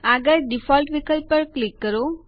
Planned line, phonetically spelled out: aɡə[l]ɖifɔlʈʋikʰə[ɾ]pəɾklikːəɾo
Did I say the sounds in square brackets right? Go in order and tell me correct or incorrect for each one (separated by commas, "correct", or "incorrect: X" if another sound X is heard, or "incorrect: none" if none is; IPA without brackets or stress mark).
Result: incorrect: ɾ, incorrect: l